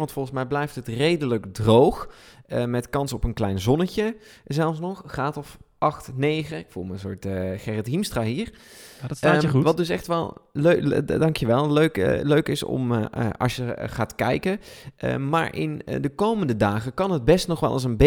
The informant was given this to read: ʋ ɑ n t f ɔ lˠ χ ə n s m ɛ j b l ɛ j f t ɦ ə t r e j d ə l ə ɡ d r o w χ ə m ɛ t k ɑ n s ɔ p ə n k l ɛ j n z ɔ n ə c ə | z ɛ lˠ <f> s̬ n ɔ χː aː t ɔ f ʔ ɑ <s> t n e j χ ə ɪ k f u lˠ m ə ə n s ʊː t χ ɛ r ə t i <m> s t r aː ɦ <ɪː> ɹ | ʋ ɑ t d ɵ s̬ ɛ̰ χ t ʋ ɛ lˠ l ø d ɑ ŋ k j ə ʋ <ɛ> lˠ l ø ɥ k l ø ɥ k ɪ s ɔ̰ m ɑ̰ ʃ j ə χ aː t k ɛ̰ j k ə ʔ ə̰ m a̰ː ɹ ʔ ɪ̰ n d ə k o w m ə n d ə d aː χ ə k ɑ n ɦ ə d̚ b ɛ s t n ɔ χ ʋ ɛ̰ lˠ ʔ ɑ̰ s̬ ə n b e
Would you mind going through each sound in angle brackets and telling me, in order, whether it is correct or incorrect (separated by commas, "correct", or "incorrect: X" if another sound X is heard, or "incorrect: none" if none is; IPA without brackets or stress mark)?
correct, incorrect: χ, correct, incorrect: iː, correct